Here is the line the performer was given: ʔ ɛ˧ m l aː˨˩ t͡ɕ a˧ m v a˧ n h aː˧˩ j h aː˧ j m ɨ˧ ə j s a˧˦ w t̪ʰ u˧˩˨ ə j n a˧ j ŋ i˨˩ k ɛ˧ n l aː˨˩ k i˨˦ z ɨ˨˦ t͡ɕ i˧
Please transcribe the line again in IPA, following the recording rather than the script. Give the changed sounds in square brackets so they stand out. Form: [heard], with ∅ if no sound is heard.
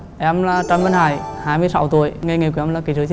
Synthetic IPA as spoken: ʔ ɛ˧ m l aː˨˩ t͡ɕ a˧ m v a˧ n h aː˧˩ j h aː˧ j m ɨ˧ ə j s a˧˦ w [t̪] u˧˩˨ ə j [ŋ] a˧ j ŋ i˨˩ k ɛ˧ [m] l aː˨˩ k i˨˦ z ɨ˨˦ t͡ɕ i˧